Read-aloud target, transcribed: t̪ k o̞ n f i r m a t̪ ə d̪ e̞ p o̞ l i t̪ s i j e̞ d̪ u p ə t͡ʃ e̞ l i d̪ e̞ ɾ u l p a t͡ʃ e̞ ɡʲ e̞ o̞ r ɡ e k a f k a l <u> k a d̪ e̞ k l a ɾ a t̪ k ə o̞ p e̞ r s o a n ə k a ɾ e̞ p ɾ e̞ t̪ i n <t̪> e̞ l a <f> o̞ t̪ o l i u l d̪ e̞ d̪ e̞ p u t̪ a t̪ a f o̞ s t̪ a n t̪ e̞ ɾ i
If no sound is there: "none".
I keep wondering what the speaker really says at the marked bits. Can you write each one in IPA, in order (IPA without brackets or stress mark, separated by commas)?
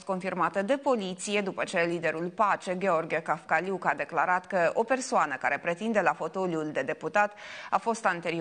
u, d̪, f